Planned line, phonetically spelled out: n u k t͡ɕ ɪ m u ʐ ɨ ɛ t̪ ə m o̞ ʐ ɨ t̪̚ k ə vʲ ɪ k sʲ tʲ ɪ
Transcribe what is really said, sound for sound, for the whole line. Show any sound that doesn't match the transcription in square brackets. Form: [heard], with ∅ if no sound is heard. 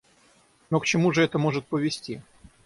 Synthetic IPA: n [o] k t͡ɕ ɪ m u ʐ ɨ ɛ t̪ ə m o̞ ʐ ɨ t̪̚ [p] ə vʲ ɪ [∅] sʲ tʲ [i]